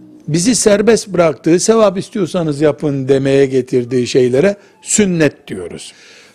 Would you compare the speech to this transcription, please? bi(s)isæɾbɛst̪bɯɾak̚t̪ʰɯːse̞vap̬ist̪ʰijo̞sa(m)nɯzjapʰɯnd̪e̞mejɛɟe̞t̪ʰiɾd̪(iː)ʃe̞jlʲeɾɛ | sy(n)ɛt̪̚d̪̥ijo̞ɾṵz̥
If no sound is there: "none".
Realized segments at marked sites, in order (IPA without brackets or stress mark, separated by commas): z, none, iː, nː